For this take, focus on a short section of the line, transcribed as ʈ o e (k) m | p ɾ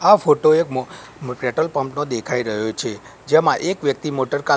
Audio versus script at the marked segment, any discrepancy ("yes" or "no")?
no